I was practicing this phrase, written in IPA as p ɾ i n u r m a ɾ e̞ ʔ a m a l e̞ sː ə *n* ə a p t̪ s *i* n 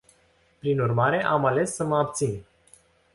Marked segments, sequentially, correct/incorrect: incorrect, correct

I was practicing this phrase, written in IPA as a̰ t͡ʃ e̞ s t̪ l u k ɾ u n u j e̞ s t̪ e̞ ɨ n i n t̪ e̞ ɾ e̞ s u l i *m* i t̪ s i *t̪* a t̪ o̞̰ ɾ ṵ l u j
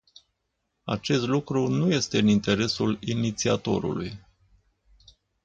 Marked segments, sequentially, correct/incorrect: incorrect, incorrect

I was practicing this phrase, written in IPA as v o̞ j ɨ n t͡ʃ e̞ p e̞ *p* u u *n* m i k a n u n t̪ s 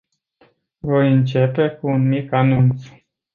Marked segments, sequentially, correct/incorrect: incorrect, correct

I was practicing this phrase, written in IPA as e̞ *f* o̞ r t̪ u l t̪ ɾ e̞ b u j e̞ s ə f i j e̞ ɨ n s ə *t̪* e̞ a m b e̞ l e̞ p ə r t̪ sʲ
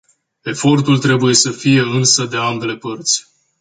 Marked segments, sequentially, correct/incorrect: correct, incorrect

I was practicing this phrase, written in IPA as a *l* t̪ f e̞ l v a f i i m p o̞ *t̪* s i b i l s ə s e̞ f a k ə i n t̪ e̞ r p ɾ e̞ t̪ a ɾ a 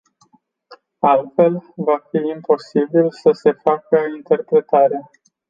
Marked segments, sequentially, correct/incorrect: correct, incorrect

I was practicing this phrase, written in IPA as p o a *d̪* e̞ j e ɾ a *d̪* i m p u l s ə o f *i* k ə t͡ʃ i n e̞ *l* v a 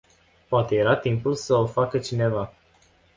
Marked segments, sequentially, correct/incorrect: incorrect, incorrect, incorrect, incorrect

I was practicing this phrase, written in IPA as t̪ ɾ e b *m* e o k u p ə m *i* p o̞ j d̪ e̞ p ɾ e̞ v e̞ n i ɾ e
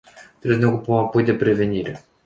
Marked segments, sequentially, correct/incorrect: incorrect, incorrect

